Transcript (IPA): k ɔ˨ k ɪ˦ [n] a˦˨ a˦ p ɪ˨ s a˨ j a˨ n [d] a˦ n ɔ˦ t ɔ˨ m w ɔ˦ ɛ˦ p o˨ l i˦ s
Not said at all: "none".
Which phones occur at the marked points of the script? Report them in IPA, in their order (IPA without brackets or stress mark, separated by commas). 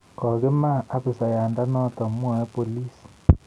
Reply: m, d